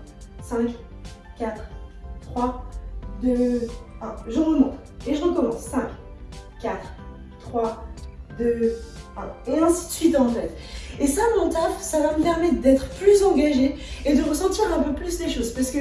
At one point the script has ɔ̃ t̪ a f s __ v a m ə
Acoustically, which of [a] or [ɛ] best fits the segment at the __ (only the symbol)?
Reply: a